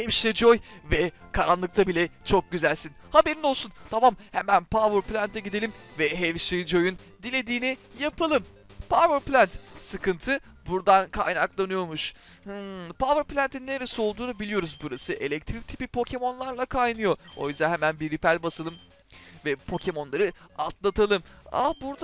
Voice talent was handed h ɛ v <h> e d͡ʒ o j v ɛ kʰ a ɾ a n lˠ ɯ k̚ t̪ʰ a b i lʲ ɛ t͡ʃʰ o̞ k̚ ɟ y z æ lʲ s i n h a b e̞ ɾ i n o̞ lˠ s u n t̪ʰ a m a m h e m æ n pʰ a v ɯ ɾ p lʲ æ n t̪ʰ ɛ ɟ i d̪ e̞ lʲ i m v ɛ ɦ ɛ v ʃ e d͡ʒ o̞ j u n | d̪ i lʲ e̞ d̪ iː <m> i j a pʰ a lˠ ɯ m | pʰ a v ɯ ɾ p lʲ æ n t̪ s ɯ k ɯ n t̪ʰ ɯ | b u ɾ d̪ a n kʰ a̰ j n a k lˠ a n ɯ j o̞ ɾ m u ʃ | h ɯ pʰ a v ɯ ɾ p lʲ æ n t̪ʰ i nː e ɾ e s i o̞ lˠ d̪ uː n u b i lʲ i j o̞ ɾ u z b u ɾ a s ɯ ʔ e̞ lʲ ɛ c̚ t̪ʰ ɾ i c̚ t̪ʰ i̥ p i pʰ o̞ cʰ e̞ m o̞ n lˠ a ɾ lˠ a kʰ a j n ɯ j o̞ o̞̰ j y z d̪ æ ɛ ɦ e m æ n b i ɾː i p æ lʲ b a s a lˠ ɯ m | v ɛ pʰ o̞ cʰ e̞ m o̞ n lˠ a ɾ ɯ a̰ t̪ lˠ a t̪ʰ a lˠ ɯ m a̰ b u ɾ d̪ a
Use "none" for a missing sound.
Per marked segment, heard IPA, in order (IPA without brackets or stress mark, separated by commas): ʃ, n